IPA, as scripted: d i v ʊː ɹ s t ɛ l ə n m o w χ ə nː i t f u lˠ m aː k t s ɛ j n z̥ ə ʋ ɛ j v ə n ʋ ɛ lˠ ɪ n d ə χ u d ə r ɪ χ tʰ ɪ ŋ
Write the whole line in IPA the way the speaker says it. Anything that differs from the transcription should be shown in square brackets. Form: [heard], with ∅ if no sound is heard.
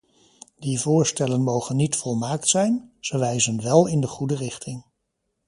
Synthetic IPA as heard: d i v ʊː ɹ s t ɛ l ə n m o w χ ə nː i t f [ɔ] lˠ m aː k t s ɛ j n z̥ ə ʋ ɛ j [z] ə n ʋ ɛ lˠ ɪ n d ə χ u d ə r ɪ χ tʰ ɪ ŋ

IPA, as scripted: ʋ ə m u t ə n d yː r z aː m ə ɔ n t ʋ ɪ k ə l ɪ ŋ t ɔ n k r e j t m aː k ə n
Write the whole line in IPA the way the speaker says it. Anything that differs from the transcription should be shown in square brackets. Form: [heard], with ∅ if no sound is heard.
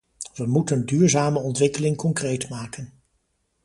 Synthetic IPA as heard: ʋ ə m u t ə n d yː [ɹ] z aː m ə ɔ n t ʋ ɪ k ə l ɪ ŋ [k] ɔ [ŋ] k r e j t m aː k ə n

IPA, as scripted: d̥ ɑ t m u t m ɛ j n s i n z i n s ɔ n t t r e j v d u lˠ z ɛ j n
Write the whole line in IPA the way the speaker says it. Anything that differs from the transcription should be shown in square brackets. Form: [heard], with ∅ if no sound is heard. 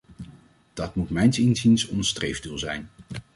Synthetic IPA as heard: d̥ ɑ t m u t m ɛ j n s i n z i n s ɔ n [s] t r e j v d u lˠ z ɛ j n

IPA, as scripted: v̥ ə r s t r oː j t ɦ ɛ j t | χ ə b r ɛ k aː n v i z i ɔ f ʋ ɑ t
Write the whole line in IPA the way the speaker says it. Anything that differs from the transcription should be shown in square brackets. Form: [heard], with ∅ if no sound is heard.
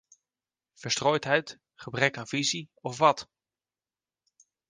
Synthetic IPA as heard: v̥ ə [ɹ] s t r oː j t ɦ ɛ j t | χ ə b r ɛ k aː n v i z i ɔ f ʋ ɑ t

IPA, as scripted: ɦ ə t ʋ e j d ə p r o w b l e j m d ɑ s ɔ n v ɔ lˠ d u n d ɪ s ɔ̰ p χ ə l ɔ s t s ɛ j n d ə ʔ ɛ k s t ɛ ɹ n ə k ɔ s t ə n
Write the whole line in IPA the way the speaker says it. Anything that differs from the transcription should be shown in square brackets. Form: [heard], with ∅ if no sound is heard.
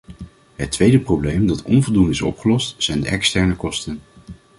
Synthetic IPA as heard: ɦ ə t ʋ e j d ə p r o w b l e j m d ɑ [t] ɔ n v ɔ lˠ d u n d ɪ s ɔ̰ p χ ə l ɔ s t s ɛ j n d ə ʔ ɛ k s t ɛ ɹ n ə k ɔ s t ə n

